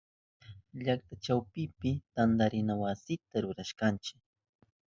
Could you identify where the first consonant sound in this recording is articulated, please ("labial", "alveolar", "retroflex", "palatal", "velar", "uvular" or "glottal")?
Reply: palatal